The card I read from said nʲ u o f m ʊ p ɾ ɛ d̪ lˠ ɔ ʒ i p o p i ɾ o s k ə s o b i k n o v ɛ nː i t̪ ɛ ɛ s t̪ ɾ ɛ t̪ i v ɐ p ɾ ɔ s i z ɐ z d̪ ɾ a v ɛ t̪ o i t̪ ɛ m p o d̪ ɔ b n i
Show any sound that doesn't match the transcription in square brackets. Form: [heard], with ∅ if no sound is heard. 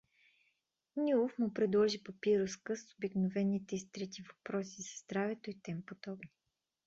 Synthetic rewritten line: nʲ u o f m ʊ p ɾ ɛ d̪ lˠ ɔ ʒ i p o p i ɾ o s k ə s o b i k n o v ɛ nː i t̪ ɛ [i] s t̪ ɾ ɛ t̪ i v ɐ p ɾ ɔ s i z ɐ z d̪ ɾ a v ɛ t̪ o i t̪ ɛ m p o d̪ ɔ b n i